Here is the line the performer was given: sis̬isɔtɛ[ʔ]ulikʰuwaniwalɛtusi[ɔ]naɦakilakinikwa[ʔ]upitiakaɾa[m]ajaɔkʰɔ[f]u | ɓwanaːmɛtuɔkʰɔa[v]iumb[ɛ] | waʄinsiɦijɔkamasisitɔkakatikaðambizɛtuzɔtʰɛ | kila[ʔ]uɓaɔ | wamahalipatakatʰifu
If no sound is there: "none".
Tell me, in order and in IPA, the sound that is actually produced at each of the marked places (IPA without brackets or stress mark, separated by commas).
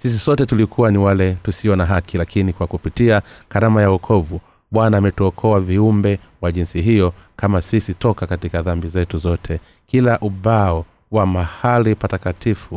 t, ɔ, k, m, v, v, ɛ, ʔ